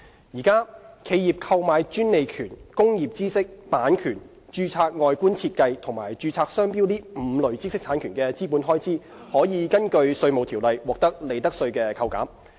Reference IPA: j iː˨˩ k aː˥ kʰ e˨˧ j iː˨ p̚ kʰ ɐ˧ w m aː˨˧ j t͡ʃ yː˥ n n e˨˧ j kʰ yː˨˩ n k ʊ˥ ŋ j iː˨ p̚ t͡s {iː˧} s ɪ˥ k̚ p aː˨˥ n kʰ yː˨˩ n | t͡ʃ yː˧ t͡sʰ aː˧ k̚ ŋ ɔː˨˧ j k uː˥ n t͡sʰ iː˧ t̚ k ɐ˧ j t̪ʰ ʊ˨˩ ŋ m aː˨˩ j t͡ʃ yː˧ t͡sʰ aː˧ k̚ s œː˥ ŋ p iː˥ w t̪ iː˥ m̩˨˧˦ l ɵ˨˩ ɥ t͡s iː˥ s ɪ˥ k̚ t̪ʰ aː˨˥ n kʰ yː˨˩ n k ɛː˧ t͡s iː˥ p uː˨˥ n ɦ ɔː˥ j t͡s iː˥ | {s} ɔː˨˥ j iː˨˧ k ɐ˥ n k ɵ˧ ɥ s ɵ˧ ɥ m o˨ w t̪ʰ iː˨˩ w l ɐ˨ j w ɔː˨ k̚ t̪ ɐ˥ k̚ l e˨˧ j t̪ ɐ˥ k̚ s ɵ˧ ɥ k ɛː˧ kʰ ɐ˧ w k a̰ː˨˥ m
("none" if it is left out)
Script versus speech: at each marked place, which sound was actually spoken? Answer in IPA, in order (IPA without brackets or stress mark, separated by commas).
iː˥, h